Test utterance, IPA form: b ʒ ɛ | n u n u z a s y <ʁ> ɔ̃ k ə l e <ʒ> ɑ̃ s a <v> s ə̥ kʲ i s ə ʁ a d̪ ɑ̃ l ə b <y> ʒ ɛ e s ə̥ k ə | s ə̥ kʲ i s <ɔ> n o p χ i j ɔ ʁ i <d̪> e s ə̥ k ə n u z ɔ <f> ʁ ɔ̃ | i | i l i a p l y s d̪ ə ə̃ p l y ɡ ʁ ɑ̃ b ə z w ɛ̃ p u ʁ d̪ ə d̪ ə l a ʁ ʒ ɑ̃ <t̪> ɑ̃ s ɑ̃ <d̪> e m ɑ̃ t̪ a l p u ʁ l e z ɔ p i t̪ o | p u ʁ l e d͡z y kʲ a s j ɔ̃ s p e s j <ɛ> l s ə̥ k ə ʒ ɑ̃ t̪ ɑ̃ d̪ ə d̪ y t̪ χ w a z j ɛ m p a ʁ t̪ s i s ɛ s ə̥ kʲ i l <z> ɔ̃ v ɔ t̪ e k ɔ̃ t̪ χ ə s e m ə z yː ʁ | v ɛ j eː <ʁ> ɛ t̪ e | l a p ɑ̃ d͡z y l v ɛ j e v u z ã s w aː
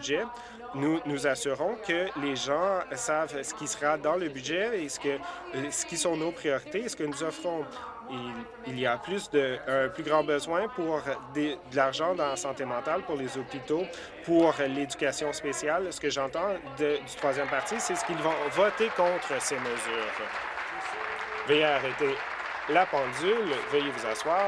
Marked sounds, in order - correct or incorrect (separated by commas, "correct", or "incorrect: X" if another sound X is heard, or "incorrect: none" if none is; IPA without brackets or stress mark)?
correct, correct, correct, correct, incorrect: ɔ̃, incorrect: t̪, correct, incorrect: d̪, incorrect: t̪, incorrect: a, incorrect: v, correct